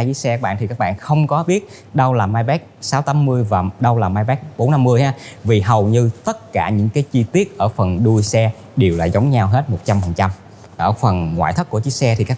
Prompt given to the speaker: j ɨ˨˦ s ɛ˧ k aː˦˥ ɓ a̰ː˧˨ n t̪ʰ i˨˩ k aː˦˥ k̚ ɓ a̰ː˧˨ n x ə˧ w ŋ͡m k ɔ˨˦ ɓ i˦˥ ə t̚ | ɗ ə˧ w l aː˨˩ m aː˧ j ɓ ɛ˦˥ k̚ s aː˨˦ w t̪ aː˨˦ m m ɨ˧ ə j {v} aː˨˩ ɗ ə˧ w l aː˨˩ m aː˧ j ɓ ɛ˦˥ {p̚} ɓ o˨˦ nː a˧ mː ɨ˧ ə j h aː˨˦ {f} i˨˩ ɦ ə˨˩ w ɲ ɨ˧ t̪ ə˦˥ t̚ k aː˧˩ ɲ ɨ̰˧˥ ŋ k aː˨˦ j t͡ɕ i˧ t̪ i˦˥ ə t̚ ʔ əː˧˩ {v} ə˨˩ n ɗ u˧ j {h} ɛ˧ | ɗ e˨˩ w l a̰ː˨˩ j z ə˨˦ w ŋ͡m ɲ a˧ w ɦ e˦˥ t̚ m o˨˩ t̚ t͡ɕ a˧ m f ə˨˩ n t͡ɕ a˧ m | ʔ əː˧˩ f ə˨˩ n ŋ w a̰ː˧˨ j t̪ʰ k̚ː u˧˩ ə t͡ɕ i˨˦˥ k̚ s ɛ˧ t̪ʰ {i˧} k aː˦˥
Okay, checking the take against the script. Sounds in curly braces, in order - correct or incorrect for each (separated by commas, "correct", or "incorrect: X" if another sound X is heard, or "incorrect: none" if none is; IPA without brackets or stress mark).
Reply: correct, incorrect: k̚, incorrect: v, incorrect: f, incorrect: s, incorrect: i˨˩